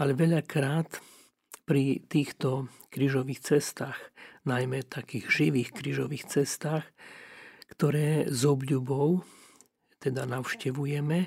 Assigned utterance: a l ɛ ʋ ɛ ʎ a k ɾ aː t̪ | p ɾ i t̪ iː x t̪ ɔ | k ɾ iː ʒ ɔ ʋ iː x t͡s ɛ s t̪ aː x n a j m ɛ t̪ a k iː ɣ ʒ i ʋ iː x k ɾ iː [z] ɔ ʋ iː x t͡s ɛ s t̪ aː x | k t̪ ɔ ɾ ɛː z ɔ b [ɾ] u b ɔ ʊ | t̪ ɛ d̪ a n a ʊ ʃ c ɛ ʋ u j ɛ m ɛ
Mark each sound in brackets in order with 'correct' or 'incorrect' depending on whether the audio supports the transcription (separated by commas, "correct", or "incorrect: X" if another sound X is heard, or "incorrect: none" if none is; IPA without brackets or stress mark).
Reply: incorrect: ʒ, incorrect: ʎ